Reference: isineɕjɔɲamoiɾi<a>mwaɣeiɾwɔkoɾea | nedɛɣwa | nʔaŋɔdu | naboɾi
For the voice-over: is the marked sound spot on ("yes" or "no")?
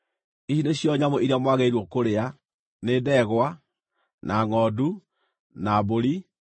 yes